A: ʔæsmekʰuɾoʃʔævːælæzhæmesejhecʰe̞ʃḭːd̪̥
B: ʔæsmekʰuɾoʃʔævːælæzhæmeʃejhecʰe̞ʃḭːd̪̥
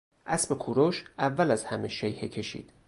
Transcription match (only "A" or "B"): B